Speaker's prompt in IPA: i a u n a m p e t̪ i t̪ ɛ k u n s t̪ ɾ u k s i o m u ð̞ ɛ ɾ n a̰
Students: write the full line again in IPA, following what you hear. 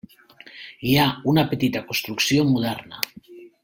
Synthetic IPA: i a u n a p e t̪ i t̪ a k o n s t̪ ɾ u k s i o m u ð̞ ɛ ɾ n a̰